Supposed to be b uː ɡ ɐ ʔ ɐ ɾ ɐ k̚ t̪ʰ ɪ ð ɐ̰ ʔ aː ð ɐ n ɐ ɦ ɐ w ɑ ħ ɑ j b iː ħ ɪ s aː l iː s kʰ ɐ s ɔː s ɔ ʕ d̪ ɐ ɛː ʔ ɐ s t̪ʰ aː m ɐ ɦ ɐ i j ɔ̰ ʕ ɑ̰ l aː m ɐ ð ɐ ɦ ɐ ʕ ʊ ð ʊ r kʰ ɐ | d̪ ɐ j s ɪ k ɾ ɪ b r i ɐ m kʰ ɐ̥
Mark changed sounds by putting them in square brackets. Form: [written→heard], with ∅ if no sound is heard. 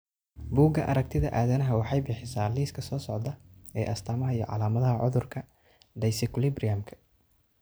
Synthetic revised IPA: b uː ɡ ɐ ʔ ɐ ɾ ɐ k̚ t̪ʰ ɪ ð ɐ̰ ʔ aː ð ɐ n ɐ ɦ ɐ w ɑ ħ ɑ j b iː ħ ɪ s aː l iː s kʰ ɐ s ɔː s ɔ ʕ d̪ ɐ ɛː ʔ ɐ s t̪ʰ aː m ɐ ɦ ɐ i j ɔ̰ ʕ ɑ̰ l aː m ɐ ð ɐ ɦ ɐ ʕ ʊ ð ʊ r kʰ ɐ | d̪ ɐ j s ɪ k [ɾ→l] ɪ b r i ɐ m kʰ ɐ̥

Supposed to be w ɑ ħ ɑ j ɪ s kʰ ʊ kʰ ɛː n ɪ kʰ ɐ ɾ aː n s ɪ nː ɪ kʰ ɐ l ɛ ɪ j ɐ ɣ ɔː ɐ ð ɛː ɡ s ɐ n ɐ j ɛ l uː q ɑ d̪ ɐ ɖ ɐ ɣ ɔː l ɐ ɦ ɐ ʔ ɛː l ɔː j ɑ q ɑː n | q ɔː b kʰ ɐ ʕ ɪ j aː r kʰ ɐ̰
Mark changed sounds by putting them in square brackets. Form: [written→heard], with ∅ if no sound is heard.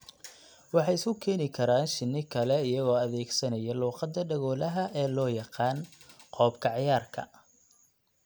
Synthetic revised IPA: w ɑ ħ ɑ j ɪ s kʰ ʊ kʰ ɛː n ɪ kʰ ɐ ɾ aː n [s→ʃ] ɪ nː ɪ kʰ ɐ l ɛ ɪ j ɐ ɣ ɔː ɐ ð ɛː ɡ s ɐ n ɐ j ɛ l uː q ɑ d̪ ɐ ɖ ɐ ɣ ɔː l ɐ ɦ ɐ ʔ ɛː l ɔː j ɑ q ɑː n | q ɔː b kʰ ɐ ʕ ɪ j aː r kʰ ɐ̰

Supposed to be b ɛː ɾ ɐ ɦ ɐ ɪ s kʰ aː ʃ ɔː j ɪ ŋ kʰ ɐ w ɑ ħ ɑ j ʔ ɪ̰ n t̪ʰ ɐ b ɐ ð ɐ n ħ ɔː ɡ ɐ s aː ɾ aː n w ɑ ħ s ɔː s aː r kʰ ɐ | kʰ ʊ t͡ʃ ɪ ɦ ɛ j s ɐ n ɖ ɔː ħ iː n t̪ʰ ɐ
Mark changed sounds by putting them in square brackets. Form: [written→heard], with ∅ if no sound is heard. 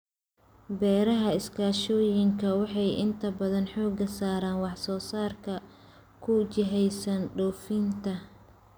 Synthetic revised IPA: b ɛː ɾ ɐ ɦ ɐ ɪ s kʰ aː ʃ ɔː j ɪ ŋ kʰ ɐ w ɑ ħ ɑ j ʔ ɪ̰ n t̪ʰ ɐ b ɐ ð ɐ n ħ ɔː ɡ ɐ s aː ɾ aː n w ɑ ħ s ɔː s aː r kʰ ɐ | kʰ ʊ t͡ʃ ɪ ɦ ɛ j s ɐ n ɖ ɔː [ħ→f] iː n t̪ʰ ɐ

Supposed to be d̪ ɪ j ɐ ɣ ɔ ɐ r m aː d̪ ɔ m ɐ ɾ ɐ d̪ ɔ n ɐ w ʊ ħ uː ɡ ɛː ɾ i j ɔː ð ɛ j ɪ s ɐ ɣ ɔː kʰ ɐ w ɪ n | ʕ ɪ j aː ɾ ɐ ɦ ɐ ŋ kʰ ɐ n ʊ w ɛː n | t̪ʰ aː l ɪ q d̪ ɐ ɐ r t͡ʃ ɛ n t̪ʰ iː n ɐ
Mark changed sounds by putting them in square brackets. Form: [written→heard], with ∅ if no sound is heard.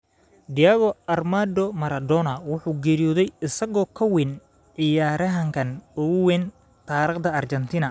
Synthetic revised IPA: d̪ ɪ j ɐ ɣ ɔ ɐ r m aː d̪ ɔ m ɐ ɾ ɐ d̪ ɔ n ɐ w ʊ ħ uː ɡ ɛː ɾ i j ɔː ð ɛ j ɪ s ɐ ɣ ɔː kʰ ɐ w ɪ n | ʕ ɪ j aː ɾ ɐ ɦ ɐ ŋ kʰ ɐ n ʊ w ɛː n | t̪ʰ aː [l→ɾ] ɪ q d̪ ɐ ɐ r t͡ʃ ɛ n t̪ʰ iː n ɐ

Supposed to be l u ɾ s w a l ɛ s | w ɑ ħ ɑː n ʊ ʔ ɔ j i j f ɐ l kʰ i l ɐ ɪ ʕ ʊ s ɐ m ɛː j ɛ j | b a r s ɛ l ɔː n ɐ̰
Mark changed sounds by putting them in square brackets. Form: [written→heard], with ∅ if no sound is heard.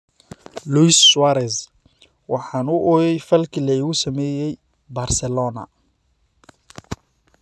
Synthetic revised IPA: l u [ɾ→∅] s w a [l→ɾ] ɛ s | w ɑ ħ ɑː n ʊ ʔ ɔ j [i→ɛ] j f ɐ l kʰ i l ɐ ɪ [ʕ→ɣ] ʊ s ɐ m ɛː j ɛ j | b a r s ɛ l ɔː n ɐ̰

